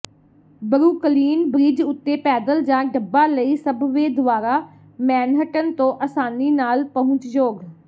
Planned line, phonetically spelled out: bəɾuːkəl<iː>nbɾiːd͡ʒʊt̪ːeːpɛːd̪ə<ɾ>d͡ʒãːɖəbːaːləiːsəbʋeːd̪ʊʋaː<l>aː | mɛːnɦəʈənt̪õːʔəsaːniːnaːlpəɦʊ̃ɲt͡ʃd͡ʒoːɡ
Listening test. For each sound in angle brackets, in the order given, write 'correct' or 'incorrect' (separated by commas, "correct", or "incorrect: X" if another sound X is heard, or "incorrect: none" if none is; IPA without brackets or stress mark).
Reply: correct, incorrect: l, incorrect: ɾ